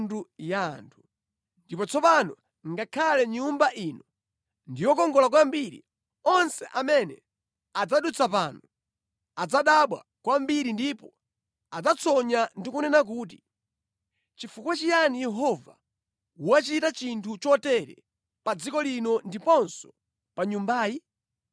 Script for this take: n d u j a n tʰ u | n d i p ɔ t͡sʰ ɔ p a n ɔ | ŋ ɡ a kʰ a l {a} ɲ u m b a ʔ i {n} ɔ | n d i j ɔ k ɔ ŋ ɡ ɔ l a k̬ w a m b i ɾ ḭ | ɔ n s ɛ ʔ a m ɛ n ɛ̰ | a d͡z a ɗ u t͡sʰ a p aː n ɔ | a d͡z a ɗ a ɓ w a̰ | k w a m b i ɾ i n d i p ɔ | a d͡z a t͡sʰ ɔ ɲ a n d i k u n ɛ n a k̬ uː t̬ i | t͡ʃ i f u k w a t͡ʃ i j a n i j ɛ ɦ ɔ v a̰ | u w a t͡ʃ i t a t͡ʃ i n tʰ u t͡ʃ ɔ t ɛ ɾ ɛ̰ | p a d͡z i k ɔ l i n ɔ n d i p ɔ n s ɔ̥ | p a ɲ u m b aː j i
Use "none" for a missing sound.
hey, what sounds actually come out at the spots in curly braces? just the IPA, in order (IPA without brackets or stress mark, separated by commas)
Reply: ɛ, n